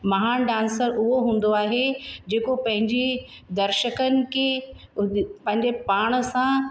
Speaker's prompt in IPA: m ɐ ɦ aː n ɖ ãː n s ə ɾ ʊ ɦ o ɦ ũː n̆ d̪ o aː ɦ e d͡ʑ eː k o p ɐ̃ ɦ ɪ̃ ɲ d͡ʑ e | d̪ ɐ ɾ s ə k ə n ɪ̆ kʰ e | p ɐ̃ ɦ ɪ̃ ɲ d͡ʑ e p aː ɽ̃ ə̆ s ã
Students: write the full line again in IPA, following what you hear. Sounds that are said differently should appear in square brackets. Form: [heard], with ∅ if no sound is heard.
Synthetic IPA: m ɐ ɦ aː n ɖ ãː n s ə ɾ ʊ ɦ o ɦ ũː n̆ d̪ o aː ɦ e d͡ʑ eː k o p ɐ̃ ɦ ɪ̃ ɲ d͡ʑ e | d̪ ɐ ɾ [ʃ] ə k ə n ɪ̆ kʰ e | p ɐ̃ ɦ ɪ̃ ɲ d͡ʑ e p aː ɽ̃ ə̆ s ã